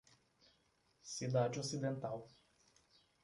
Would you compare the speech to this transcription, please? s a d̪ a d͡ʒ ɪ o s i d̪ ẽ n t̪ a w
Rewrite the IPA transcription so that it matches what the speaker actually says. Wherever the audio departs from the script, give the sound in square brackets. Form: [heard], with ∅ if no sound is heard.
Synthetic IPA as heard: s [i] d̪ a d͡ʒ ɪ o s i d̪ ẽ n t̪ a w